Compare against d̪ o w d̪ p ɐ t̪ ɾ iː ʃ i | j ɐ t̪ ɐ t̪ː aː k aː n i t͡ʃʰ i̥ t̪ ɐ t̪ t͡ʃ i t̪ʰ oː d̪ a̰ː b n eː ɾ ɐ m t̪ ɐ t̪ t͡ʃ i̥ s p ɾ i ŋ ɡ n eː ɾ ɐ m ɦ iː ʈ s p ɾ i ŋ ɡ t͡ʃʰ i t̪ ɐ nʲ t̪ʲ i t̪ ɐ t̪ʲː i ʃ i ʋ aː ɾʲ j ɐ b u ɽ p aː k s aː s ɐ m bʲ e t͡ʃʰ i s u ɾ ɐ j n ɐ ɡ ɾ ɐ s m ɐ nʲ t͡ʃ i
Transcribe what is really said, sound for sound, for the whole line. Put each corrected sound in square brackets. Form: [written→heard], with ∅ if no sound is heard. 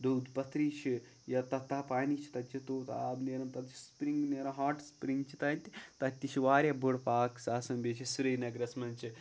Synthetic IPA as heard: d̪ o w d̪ p ɐ t̪ ɾ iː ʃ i | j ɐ t̪ ɐ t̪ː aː [k→p] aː n i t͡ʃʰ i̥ t̪ ɐ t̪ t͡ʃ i [t̪ʰ→t̪] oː [d̪→t̪] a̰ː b n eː ɾ ɐ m t̪ ɐ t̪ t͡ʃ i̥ s p ɾ i ŋ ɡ n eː ɾ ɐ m ɦ [iː→aː] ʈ s p ɾ i ŋ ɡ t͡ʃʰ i t̪ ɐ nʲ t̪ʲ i t̪ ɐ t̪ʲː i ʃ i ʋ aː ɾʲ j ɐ b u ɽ p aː k s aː s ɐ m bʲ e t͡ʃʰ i s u ɾ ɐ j n ɐ ɡ ɾ ɐ s m ɐ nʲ t͡ʃ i